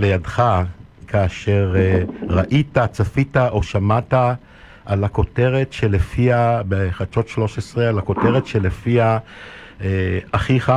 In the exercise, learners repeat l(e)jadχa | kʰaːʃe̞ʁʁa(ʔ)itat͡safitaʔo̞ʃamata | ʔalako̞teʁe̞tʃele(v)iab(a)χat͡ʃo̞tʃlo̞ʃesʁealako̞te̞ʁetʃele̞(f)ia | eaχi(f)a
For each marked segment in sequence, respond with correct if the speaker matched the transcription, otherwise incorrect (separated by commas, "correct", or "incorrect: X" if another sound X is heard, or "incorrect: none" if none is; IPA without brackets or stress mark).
correct, correct, incorrect: f, incorrect: e, correct, incorrect: χ